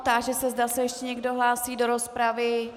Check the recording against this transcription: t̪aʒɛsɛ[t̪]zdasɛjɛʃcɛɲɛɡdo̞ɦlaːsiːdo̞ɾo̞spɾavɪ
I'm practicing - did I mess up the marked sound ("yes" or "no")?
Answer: yes